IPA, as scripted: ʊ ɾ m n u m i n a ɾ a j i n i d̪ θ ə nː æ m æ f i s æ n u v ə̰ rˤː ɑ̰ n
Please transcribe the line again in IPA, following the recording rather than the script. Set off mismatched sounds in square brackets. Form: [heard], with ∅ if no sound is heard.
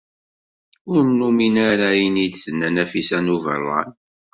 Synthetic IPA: ʊ ɾ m n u m i n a ɾ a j i n i d̪ θ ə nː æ [n] æ f i s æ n u v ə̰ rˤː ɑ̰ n

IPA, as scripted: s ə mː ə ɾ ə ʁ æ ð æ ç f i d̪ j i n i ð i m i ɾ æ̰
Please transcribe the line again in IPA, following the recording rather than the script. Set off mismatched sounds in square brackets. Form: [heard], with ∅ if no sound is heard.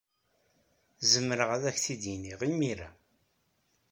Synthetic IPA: [z] ə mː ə ɾ ə ʁ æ ð æ ç [θ] i d̪ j i n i [ʁ] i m i ɾ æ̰

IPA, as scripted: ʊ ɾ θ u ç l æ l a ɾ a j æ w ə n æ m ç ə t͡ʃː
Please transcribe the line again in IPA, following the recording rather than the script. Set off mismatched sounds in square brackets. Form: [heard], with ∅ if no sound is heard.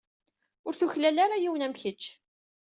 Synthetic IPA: ʊ ɾ θ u ç l æ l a ɾ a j [i] w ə n æ m ç ə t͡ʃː

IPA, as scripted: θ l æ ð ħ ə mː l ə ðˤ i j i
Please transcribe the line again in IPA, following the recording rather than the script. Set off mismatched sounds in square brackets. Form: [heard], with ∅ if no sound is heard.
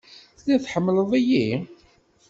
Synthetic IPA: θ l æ [θ] ħ ə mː l ə ðˤ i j i

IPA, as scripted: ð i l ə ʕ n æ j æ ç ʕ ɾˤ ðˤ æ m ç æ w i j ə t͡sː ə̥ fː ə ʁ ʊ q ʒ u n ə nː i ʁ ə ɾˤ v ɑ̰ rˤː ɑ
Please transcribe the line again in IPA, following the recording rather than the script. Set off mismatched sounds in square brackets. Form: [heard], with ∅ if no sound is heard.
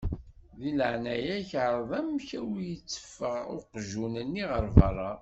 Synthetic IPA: ð i l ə ʕ n æ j æ ç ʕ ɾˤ ðˤ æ m ç æ w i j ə t͡sː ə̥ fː ə ʁ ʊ q ʒ u n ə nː i ʁ ə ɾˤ v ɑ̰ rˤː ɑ

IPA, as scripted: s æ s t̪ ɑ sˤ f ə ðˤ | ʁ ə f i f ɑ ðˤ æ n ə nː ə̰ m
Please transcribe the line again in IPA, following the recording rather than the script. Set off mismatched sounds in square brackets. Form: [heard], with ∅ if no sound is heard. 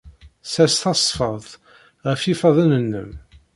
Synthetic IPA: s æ s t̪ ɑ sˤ f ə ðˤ | ʁ ə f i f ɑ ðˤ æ n ə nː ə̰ m

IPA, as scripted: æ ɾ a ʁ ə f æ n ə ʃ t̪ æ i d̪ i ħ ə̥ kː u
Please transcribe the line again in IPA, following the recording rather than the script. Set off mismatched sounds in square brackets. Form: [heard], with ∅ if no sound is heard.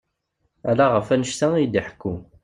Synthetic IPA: æ [l] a ʁ ə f æ n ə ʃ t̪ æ i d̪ i ħ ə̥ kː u

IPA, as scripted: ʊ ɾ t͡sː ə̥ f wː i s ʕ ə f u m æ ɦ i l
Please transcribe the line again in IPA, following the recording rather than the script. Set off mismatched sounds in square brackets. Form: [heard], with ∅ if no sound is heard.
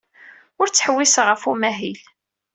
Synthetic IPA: ʊ ɾ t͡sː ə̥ [ħ] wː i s [ʁ] ə f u m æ ɦ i l

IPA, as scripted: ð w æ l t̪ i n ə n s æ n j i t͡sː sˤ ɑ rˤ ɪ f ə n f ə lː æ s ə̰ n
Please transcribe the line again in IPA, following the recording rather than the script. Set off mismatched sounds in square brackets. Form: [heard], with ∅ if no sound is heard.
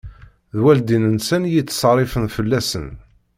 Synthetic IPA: ð w æ l [d̪] i n ə n s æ n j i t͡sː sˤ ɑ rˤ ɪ f ə n f ə lː æ s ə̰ n

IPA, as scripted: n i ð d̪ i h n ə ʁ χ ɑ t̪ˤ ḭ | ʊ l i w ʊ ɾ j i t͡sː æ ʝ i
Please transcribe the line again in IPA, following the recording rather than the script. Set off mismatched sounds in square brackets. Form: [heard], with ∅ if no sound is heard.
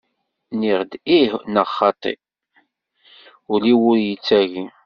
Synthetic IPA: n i [ʁ] d̪ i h n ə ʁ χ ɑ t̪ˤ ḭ | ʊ l i w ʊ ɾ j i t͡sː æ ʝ i

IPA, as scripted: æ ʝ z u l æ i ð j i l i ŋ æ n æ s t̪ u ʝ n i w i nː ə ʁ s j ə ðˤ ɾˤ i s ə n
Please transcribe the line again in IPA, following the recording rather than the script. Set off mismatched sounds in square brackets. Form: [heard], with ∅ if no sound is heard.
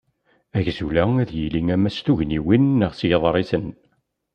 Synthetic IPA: æ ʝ z u l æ [æ] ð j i l i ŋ æ [m] æ s t̪ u ʝ n i w i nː ə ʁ s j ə ðˤ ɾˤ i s ə n

